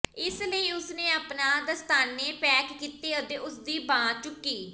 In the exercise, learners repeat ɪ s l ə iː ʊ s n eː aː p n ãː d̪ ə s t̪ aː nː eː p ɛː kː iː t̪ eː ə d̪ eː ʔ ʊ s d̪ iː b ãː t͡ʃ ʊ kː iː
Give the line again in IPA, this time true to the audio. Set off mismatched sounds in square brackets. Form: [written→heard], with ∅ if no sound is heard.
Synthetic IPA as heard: ɪ s l ə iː ʊ s n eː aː p n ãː d̪ ə s t̪ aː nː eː p ɛː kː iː t̪ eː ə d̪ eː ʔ ʊ s d̪ iː b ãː t͡ʃ ʊ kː iː

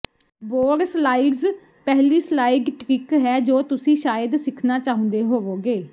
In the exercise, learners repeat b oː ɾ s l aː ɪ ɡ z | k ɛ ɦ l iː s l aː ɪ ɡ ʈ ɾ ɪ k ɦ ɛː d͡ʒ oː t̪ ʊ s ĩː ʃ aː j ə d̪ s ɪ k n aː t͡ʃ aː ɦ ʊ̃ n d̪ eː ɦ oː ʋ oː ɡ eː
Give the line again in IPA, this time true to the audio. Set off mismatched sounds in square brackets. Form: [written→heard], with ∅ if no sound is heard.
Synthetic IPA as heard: b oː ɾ s l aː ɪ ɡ z | [k→p] ɛ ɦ l iː s l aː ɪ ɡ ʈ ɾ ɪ k ɦ ɛː d͡ʒ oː t̪ ʊ s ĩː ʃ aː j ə d̪ s ɪ [k→kʰ] n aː t͡ʃ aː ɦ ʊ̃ n d̪ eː ɦ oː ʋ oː ɡ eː

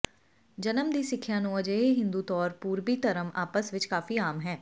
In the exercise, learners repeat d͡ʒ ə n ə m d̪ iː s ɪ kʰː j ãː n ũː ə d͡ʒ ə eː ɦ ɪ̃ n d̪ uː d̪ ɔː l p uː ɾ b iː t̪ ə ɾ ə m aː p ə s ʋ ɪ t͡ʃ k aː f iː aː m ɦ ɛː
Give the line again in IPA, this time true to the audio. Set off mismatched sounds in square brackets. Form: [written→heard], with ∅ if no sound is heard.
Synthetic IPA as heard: d͡ʒ ə n ə m d̪ iː s ɪ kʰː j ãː n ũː ə d͡ʒ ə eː ɦ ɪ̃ n d̪ uː [d̪→t̪] ɔː [l→ɾ] p uː ɾ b iː t̪ ə ɾ ə m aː p ə s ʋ ɪ t͡ʃ k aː f iː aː m ɦ ɛː

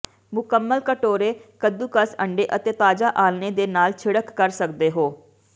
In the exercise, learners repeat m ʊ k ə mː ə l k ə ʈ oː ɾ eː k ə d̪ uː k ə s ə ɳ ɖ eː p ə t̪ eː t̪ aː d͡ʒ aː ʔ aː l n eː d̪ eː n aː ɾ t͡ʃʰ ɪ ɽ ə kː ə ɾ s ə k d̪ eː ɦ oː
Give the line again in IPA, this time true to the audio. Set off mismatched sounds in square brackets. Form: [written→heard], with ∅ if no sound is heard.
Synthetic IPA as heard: m ʊ k ə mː ə l k ə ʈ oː ɾ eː k ə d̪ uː k ə s ə ɳ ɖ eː [p→ʔ] ə t̪ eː t̪ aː d͡ʒ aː ʔ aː l n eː d̪ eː n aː [ɾ→l] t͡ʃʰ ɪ ɽ ə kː ə ɾ s ə k d̪ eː ɦ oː

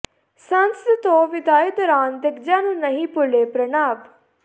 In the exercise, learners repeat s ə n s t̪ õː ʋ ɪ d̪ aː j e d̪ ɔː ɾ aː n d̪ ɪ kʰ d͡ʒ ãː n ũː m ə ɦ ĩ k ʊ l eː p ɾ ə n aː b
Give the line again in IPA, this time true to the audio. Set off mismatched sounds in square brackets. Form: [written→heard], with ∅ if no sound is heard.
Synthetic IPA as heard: s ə n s t̪ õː ʋ ɪ d̪ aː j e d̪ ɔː ɾ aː n d̪ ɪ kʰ d͡ʒ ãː n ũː [m→n] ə ɦ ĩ [k→p] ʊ l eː p ɾ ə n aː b

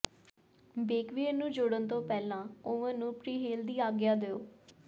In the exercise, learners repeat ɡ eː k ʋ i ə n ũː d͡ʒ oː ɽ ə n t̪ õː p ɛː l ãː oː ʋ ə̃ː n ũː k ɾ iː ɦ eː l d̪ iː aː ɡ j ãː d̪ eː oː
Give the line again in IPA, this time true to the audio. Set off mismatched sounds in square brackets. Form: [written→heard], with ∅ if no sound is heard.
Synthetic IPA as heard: [ɡ→b] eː k ʋ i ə n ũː d͡ʒ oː ɽ ə n t̪ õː p ɛː l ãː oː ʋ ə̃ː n ũː [k→p] ɾ iː ɦ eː l d̪ iː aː ɡ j [ãː→aː] d̪ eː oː

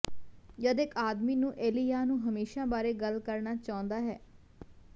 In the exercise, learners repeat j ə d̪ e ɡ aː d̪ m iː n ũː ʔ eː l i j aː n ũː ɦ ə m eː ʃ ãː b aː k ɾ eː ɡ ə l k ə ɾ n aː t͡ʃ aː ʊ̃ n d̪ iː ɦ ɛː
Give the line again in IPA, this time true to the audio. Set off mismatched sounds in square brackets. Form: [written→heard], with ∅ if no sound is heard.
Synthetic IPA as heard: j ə d̪ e [ɡ→k] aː d̪ m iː n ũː ʔ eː l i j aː n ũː ɦ ə m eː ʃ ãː b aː [k→∅] ɾ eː ɡ ə l k ə ɾ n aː t͡ʃ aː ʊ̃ n d̪ [iː→aː] ɦ ɛː

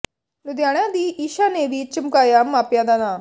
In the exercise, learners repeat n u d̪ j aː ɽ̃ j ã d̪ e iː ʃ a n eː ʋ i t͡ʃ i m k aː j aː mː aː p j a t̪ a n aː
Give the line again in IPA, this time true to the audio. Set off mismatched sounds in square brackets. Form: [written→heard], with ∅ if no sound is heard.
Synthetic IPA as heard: n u d̪ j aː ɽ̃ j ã d̪ [e→i] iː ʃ a n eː ʋ i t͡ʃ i m k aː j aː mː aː p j a [t̪→d̪] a n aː

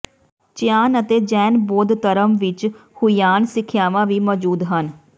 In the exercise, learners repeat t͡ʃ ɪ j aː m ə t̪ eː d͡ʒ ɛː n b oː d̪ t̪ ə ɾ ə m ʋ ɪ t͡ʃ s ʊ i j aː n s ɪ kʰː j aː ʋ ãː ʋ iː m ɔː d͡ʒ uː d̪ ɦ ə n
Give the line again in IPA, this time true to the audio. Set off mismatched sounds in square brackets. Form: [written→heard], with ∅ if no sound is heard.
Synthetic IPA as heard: t͡ʃ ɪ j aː [m→n] ə t̪ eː d͡ʒ ɛː n b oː d̪ t̪ ə ɾ ə m ʋ ɪ t͡ʃ [s→h] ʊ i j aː n s ɪ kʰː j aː ʋ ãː ʋ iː m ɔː d͡ʒ uː d̪ ɦ ə n

